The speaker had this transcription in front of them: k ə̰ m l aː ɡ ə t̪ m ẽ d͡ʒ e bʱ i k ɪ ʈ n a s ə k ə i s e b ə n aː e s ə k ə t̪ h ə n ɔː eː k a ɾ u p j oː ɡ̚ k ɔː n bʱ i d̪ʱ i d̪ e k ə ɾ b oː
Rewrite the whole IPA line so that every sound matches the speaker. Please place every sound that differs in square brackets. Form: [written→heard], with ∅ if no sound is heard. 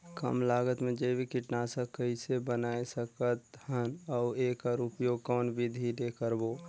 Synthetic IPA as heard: k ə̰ m l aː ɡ ə t̪ m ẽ d͡ʒ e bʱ i k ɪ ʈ n a s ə k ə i s e b ə n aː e s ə k ə t̪ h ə n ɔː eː k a ɾ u p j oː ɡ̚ k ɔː n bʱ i d̪ʱ i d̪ e k ə ɾ b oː

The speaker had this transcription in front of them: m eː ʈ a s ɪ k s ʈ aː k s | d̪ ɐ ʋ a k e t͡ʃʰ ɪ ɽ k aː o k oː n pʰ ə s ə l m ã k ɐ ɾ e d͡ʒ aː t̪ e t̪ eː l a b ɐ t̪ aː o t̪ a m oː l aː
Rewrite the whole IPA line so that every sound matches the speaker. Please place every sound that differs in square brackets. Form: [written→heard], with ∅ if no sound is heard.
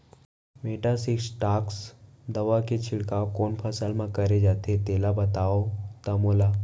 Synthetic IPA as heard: m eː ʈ a s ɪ k s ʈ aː k s | d̪ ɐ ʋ a k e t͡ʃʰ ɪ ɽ k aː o k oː n pʰ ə s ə l m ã k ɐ ɾ e d͡ʒ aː t̪ e t̪ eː l a b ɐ t̪ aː o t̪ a m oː l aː

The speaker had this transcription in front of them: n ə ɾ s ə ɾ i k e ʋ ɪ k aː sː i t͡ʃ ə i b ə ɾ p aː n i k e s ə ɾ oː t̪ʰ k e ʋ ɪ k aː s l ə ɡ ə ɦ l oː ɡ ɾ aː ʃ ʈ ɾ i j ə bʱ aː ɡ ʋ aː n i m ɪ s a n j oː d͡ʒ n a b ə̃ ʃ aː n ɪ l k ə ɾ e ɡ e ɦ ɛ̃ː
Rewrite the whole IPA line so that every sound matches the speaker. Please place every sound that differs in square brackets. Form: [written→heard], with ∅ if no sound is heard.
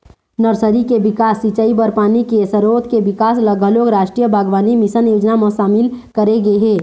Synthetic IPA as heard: n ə ɾ s ə ɾ i k e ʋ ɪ k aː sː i t͡ʃ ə i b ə ɾ p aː n i k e s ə ɾ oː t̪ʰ k e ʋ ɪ k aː s l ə ɡ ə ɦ l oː ɡ ɾ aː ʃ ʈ ɾ i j ə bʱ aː ɡ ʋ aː n i m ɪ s [a→ə] n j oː d͡ʒ n a [b→m] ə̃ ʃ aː [n→m] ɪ l k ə ɾ e ɡ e ɦ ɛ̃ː

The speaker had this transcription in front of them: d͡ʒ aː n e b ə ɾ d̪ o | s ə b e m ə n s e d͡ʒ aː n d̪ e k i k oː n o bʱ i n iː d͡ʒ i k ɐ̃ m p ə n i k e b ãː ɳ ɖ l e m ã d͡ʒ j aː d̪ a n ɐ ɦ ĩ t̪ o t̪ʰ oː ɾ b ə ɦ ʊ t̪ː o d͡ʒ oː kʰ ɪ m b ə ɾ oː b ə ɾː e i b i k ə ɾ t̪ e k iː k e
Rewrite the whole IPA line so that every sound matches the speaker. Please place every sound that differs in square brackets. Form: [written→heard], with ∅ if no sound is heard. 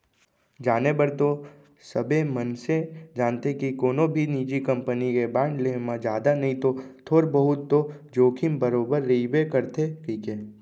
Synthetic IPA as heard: d͡ʒ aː n e b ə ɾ [d̪→t̪] o | s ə b e m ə n s e d͡ʒ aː n [d̪→t̪] e k i k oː n o bʱ i n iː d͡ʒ i k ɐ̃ m p ə n i k e b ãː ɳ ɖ l e m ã d͡ʒ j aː d̪ a n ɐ ɦ ĩ t̪ o t̪ʰ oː ɾ b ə ɦ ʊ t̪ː o d͡ʒ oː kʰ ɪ m b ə ɾ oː b ə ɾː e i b [i→e] k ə ɾ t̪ e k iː k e

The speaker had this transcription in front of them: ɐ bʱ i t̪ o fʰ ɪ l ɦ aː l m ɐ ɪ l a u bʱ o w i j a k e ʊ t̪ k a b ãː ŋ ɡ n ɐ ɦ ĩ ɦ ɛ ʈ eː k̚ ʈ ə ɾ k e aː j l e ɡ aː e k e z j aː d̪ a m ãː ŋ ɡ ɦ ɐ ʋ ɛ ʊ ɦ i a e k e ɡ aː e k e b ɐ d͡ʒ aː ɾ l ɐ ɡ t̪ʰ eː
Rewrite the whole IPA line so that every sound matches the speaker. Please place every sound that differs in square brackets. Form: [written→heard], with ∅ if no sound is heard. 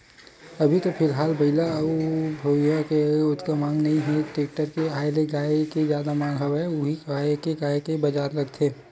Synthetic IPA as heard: ɐ bʱ i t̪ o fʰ ɪ l ɦ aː l [m→b] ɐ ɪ l a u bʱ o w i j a k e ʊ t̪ k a [b→m] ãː ŋ ɡ n ɐ ɦ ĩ ɦ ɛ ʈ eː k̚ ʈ ə ɾ k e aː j l e ɡ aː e k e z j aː d̪ a m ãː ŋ ɡ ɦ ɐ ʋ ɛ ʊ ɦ i a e k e ɡ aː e k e b ɐ d͡ʒ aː ɾ l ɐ ɡ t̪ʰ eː

